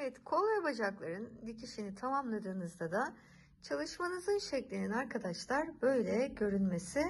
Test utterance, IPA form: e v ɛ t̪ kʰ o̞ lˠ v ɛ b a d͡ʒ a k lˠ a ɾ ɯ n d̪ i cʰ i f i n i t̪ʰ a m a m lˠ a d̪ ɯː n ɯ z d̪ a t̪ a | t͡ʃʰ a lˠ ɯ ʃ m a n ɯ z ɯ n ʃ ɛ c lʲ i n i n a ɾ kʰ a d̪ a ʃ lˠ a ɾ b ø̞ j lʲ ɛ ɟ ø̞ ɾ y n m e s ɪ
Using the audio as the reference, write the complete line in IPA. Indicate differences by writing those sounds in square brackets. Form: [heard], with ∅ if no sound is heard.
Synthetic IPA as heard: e v ɛ t̪ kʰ o̞ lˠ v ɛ b a d͡ʒ a k lˠ a ɾ ɯ n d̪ i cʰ i [ʃ] i n i t̪ʰ a m a m lˠ a d̪ ɯː n ɯ z d̪ a [d̪] a | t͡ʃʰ a lˠ ɯ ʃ m a n ɯ z ɯ n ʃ ɛ c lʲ i n i n a ɾ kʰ a d̪ a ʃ lˠ a ɾ b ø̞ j lʲ ɛ ɟ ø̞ ɾ y n m e s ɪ